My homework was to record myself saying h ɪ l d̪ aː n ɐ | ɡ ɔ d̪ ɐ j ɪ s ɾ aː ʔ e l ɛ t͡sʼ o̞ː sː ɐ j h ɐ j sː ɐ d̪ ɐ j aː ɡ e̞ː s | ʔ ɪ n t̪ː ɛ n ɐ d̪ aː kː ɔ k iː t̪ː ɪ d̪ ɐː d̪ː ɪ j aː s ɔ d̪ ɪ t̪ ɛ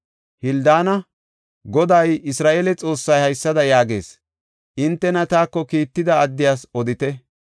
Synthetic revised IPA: h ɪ l d̪ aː n ɐ | ɡ ɔ d̪ ɐ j ɪ s ɾ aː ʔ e l ɛ t͡sʼ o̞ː sː ɐ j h ɐ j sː ɐ d̪ ɐ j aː ɡ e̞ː s | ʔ ɪ n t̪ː ɛ n ɐ t̪ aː kː ɔ k iː t̪ː ɪ d̪ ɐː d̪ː ɪ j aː s ɔ d̪ ɪ t̪ ɛ